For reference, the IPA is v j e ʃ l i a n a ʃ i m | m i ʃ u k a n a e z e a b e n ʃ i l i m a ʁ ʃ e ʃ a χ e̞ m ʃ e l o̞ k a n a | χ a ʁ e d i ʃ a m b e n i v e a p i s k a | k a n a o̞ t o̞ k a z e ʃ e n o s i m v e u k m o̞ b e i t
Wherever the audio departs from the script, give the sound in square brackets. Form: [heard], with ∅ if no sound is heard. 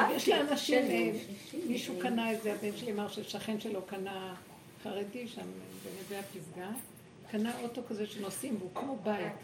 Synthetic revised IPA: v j e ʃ l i a n a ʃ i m | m i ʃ u k a n a e z e a b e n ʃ [e] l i m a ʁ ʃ e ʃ a χ e̞ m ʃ e l o̞ k a n a | χ a ʁ e d i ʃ a m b e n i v e a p i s [ɡ] a | k a n a o̞ t o̞ k a z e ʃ e n o s i m v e u k m o̞ b [a] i t